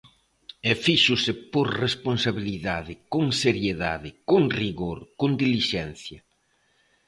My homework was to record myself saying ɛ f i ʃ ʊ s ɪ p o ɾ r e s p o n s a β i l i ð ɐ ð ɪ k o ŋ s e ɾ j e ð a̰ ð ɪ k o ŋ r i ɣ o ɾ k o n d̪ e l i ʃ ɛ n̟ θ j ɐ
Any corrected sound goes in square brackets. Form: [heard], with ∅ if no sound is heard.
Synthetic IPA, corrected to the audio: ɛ f i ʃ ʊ s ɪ p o ɾ r e s p o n s a β i l i ð [a] ð ɪ k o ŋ s e ɾ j e ð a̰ ð ɪ k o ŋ r i ɣ o ɾ k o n d̪ [i] l i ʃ ɛ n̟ θ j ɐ